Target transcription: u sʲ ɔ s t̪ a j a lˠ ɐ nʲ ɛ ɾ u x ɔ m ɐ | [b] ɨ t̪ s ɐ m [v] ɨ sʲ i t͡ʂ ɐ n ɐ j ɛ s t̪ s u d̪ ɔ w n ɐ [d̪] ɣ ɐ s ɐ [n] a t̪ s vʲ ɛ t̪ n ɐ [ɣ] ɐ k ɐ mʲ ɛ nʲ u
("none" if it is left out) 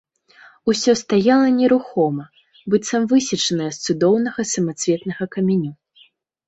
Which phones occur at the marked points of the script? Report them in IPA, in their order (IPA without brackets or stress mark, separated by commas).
b, v, none, m, ɣ